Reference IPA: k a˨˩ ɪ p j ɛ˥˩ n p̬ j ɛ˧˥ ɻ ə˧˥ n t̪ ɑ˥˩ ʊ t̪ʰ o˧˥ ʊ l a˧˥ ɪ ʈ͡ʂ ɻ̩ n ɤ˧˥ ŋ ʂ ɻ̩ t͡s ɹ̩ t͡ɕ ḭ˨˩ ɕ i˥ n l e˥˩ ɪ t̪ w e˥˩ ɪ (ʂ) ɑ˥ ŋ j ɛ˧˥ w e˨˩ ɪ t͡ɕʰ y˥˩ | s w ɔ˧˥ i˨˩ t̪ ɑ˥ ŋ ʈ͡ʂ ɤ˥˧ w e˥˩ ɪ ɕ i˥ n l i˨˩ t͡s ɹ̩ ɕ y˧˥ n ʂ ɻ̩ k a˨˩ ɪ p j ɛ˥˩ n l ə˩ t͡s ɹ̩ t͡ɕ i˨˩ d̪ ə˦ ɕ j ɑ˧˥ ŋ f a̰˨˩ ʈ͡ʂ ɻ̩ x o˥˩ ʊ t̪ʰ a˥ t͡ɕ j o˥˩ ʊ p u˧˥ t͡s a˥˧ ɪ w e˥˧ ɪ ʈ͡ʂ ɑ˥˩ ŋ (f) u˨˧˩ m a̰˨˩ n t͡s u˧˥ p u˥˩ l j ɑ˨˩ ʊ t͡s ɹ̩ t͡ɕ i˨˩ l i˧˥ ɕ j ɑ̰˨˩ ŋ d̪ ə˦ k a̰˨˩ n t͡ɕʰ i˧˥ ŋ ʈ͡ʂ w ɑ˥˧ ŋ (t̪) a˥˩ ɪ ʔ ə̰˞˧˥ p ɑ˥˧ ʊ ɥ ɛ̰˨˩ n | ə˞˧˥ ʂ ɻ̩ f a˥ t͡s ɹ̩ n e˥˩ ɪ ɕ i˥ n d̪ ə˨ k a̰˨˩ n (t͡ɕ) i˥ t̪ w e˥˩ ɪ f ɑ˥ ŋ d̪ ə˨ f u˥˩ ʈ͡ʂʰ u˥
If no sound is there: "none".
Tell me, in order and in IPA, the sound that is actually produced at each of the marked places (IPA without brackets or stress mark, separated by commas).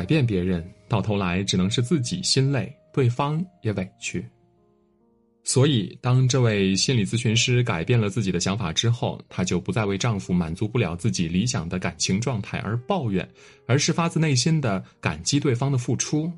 f, f, t̪ʰ, t͡ɕ